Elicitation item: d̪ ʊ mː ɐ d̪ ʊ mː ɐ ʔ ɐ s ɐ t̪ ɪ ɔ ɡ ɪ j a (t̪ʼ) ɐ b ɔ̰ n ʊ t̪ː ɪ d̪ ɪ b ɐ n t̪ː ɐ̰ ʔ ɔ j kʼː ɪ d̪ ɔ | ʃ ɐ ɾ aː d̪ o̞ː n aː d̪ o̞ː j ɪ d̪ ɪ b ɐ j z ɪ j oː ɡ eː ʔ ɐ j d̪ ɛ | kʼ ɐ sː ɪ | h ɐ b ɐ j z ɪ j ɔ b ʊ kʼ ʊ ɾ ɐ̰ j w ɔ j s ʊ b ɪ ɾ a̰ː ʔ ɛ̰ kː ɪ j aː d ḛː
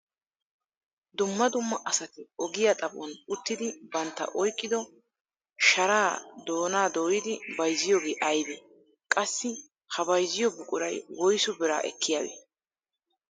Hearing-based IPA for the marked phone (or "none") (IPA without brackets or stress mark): t̪ʼ